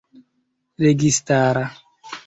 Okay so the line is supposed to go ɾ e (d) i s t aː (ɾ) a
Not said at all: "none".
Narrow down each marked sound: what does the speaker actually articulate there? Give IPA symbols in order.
ɡ, ɾ

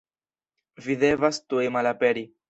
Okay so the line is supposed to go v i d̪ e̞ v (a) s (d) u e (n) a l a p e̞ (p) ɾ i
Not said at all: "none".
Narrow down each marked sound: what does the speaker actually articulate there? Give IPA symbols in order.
a, t, m, none

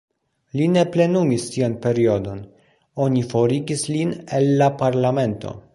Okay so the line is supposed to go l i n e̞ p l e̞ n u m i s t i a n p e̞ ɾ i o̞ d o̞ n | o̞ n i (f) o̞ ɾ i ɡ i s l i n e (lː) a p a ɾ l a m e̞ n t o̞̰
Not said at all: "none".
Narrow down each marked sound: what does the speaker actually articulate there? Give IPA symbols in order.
f, lː

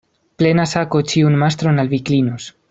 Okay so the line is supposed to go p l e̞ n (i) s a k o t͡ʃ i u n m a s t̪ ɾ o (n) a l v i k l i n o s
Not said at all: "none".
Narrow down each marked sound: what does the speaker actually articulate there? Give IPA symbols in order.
a, n

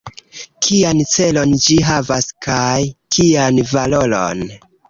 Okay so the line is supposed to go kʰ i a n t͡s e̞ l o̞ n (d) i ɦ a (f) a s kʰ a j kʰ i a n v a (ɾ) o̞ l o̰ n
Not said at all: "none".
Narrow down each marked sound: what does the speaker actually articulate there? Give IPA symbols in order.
d͡ʒ, v, l

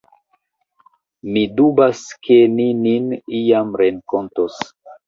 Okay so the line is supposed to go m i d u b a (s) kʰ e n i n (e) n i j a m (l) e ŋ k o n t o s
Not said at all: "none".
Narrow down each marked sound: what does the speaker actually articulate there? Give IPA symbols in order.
s, i, ɾ

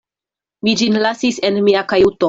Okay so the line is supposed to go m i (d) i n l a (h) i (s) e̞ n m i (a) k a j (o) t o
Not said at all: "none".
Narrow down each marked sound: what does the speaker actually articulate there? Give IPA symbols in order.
d͡ʒ, s, s, a, u

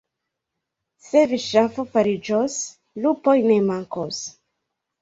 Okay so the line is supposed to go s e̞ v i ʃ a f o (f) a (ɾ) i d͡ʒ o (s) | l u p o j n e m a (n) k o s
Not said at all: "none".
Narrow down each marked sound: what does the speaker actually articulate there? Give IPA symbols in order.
f, ɾ, s, ŋ

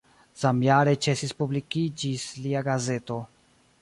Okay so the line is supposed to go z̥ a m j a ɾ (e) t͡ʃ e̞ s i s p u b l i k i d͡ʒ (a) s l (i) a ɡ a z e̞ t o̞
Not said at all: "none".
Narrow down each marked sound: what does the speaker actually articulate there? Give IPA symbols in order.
e, i, i

